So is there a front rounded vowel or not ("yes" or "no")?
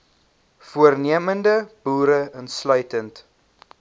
yes